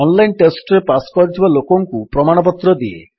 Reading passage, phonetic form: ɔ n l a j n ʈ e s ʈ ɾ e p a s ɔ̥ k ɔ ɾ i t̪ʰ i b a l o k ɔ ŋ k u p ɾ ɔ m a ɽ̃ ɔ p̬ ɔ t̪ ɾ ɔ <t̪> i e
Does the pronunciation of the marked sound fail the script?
yes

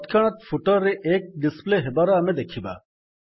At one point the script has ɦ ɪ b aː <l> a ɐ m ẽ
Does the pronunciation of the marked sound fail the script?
yes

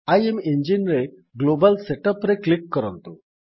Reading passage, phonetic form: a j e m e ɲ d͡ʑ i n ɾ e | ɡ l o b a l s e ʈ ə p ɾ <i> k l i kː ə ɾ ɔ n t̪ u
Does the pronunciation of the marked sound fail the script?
yes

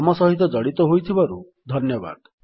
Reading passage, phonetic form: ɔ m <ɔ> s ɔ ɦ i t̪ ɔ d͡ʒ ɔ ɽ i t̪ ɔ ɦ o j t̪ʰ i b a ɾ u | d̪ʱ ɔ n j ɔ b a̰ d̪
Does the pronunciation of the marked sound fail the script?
no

